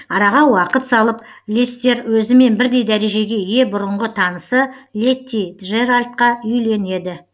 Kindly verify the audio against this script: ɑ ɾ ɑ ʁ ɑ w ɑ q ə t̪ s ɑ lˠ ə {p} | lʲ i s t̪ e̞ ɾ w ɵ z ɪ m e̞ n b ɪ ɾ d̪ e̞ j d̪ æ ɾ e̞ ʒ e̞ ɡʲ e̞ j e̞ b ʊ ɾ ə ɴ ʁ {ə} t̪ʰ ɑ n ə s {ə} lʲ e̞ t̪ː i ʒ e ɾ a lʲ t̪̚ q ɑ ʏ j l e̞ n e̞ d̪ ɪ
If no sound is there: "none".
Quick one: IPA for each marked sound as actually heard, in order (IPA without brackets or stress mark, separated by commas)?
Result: p, ə, ə